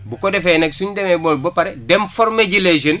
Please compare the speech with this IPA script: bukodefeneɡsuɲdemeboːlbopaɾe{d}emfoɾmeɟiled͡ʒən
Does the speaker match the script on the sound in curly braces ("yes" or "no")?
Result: yes